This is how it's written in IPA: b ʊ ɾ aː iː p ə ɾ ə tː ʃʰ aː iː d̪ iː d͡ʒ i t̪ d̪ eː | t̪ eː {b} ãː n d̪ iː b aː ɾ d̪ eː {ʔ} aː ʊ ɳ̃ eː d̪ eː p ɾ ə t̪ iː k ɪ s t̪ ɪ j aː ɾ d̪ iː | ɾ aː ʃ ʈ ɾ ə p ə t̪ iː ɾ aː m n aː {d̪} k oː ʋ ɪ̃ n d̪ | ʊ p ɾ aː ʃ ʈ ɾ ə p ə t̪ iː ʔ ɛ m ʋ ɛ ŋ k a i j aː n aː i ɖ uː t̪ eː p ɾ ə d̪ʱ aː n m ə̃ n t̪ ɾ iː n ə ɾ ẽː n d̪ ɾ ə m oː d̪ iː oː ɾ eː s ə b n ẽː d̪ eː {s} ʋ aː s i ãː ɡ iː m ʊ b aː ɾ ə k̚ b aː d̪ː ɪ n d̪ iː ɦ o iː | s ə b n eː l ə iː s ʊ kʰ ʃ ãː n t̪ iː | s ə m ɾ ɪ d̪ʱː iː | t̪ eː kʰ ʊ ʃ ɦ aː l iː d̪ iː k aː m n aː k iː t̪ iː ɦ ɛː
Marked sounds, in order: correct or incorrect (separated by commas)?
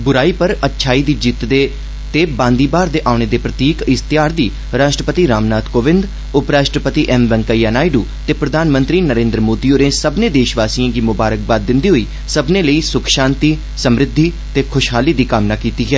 correct, correct, incorrect, incorrect